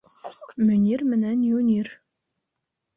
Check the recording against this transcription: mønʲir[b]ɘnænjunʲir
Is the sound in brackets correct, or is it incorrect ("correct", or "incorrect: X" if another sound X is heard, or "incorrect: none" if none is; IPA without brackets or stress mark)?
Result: incorrect: m